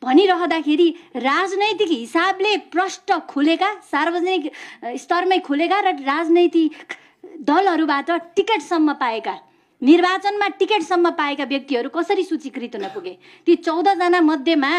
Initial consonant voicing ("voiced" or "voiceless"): voiced